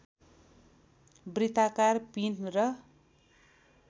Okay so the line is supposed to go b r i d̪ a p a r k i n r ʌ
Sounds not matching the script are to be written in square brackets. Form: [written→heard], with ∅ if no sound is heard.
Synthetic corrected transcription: b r i [d̪→t̪] a [p→k] a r [k→p] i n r ʌ